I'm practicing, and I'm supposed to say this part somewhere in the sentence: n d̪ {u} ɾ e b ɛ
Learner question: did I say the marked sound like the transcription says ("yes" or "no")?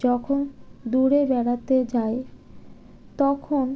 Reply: yes